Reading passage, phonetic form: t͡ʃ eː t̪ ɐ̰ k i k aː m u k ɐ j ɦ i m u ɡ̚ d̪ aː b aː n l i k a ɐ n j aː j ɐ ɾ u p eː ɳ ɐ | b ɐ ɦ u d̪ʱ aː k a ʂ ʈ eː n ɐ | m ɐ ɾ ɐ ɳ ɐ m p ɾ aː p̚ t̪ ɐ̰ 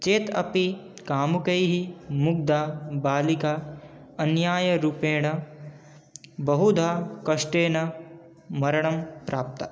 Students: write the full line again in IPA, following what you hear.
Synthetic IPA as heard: t͡ʃ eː t̪ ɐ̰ p i k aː m u k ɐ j ɦ i m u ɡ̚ d̪ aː b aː l i k a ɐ n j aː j ɐ ɾ u p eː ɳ ɐ | b ɐ ɦ u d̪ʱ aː k ɐ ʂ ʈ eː n ɐ | m ɐ ɾ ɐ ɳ ɐ m p ɾ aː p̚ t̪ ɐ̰